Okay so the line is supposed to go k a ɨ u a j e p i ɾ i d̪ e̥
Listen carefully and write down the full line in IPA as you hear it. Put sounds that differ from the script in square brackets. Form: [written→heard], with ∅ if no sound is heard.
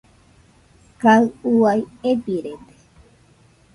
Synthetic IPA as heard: k a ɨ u a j e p i ɾ [i→e] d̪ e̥